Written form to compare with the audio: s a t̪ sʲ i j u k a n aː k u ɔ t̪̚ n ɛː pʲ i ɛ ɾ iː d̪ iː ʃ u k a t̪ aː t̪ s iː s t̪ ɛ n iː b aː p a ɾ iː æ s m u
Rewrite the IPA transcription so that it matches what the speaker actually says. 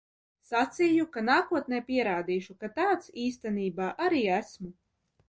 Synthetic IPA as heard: s a t̪ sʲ i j u k a n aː k u ɔ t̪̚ n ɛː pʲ i ɛ ɾ aː d̪ iː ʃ u k a t̪ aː t̪ s iː s t̪ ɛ n iː b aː ʔ a ɾ iː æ s m u